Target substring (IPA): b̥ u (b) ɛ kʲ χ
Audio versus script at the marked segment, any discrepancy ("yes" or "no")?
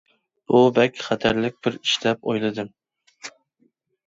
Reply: no